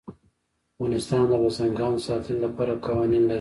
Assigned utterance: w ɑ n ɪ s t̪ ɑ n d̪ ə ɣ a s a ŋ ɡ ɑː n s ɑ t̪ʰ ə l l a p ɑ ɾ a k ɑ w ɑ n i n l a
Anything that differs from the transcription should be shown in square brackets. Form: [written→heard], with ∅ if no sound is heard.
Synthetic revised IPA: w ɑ n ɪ s t̪ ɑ n d̪ ə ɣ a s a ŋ ɡ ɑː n s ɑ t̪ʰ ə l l a p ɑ ɾ a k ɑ w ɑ n i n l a